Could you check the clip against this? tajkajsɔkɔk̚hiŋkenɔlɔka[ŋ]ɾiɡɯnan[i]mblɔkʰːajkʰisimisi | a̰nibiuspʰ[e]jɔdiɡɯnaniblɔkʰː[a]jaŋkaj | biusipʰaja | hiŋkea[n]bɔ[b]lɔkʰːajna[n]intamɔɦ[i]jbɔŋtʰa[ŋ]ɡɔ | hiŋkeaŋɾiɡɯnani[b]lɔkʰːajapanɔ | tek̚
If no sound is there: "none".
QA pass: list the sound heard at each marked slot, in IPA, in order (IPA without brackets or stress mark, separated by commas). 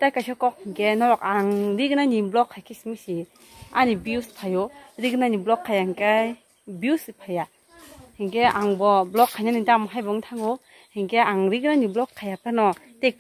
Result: ŋ, i, a, a, ŋ, b, n, a, ŋ, b